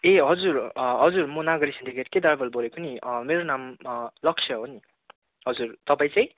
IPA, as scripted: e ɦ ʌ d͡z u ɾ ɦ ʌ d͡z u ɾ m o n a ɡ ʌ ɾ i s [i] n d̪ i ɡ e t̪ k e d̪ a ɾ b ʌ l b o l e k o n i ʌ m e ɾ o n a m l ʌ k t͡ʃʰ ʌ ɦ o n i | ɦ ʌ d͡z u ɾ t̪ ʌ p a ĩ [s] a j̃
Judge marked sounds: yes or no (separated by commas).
yes, no